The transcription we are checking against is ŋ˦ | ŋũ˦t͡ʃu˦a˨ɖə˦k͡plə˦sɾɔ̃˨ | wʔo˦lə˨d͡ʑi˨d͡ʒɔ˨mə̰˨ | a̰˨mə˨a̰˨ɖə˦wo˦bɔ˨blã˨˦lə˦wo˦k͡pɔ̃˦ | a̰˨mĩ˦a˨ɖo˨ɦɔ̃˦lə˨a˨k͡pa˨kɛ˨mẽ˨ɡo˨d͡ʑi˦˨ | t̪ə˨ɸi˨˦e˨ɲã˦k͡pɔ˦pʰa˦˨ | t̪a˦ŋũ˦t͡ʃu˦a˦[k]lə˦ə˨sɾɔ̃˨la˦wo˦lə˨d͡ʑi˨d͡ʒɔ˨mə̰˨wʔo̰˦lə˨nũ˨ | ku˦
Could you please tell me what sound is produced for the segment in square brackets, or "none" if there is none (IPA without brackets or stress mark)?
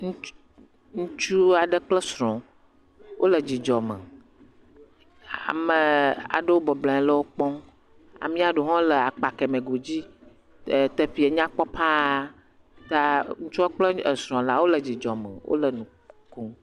k͡p